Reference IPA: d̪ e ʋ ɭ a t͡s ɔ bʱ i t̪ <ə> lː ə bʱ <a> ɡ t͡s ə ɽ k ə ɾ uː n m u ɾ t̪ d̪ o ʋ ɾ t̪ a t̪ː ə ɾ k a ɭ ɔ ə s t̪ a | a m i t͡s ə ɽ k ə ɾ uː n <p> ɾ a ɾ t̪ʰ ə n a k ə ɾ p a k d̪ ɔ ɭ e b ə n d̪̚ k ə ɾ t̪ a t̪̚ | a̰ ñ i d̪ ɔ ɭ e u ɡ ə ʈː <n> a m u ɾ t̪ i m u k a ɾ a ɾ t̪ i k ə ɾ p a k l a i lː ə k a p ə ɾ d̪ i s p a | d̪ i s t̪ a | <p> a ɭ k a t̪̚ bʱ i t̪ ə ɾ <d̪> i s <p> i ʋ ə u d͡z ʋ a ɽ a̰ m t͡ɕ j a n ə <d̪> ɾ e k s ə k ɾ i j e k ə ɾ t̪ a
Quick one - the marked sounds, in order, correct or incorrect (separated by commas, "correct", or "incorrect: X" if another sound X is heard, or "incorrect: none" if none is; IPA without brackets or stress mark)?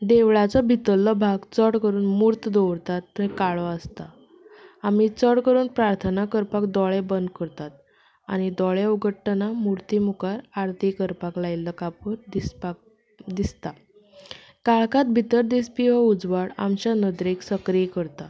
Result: correct, correct, correct, correct, incorrect: k, correct, correct, correct